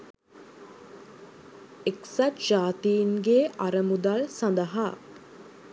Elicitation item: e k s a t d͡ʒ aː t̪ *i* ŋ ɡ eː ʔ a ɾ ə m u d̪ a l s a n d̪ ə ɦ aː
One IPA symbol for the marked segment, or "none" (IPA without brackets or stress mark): iː